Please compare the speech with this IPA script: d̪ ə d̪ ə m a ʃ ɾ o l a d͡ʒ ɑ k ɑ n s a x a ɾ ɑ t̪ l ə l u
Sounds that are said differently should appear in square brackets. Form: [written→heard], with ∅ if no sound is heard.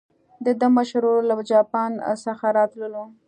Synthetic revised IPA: d̪ ə d̪ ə m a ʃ ɾ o l a d͡ʒ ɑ [k→p] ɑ n s a x a ɾ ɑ t̪ l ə l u